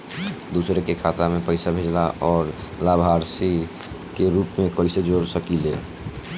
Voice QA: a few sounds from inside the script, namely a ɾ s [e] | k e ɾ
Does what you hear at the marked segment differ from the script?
yes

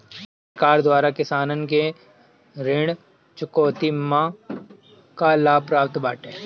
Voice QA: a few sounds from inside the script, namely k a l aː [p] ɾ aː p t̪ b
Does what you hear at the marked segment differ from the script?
no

